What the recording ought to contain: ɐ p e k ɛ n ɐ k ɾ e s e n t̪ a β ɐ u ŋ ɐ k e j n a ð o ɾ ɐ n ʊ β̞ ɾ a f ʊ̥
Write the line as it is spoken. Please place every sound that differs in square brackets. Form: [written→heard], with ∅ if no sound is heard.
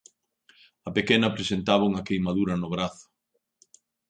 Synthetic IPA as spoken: ɐ p e k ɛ n ɐ [k→p] ɾ e s e n t̪ a β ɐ u ŋ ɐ k e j [n→m] a ð [o→u] ɾ ɐ n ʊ β̞ ɾ a [f→θ] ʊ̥